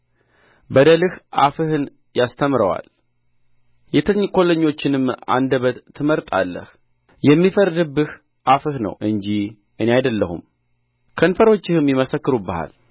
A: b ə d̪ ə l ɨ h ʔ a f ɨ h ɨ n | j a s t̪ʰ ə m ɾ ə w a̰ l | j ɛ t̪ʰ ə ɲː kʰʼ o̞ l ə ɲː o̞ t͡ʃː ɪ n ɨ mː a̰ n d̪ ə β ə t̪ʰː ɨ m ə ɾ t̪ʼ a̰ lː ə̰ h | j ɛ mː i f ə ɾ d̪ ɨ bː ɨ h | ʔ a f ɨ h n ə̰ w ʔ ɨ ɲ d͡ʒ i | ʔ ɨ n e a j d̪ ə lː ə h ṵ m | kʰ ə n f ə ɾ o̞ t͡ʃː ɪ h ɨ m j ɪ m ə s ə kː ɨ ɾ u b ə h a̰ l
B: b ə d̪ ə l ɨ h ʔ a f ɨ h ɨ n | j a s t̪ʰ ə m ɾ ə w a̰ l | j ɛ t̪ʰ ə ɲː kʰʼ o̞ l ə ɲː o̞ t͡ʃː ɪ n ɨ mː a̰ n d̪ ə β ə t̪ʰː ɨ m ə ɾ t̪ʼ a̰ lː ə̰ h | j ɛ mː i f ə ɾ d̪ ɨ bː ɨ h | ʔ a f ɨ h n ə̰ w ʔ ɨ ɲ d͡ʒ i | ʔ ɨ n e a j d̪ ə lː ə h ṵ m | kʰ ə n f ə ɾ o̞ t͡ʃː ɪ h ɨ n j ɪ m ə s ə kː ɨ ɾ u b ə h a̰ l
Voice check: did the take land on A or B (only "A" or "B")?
A